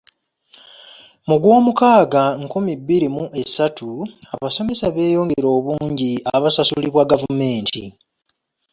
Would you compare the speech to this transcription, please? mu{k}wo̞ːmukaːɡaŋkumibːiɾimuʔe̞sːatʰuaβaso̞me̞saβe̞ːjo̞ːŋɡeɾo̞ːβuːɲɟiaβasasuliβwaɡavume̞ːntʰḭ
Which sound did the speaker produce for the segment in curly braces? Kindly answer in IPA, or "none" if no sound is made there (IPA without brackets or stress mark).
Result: ɡ